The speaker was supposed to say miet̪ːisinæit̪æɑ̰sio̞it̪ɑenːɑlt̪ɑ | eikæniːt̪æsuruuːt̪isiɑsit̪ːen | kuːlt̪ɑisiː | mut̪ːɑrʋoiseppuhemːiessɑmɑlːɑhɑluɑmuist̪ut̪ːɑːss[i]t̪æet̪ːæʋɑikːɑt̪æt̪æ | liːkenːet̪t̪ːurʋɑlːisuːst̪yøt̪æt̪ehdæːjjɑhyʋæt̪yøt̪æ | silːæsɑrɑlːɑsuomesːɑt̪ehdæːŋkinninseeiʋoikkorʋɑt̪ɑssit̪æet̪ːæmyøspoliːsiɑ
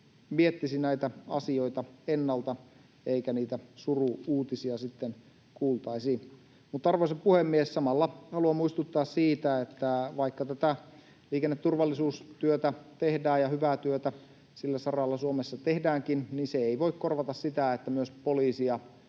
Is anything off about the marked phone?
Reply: yes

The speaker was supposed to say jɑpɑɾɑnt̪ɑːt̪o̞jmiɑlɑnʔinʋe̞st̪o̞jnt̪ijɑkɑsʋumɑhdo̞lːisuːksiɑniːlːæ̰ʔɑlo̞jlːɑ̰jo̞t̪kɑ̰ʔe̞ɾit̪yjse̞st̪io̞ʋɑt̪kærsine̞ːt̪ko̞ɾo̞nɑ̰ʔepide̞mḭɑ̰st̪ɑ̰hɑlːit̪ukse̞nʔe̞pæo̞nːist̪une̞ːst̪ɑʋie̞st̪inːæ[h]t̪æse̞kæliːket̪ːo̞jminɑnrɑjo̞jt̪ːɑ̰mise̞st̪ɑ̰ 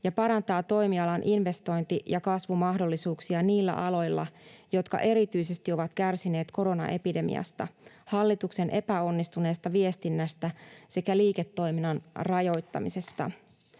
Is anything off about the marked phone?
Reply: yes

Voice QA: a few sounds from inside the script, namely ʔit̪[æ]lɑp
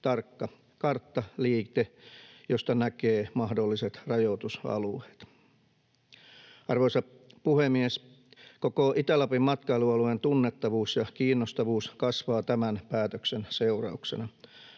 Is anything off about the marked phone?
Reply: no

